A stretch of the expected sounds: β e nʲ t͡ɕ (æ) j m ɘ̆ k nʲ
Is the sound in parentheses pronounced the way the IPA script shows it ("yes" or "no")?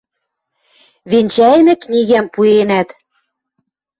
yes